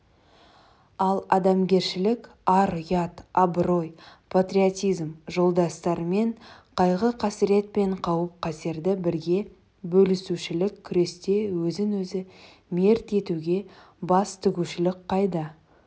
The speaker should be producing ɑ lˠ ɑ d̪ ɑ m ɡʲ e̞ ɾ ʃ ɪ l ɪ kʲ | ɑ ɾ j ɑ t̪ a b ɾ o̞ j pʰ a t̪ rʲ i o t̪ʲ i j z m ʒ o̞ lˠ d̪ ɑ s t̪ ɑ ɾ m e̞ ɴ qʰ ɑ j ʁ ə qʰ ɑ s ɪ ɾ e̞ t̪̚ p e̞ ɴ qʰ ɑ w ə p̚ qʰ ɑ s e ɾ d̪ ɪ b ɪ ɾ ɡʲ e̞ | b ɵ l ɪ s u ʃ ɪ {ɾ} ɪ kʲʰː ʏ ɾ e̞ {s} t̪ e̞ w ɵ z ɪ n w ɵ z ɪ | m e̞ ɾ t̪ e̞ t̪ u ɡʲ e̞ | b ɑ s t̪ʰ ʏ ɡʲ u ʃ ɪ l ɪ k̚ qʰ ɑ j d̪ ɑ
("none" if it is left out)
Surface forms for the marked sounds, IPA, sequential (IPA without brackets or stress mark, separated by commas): l, s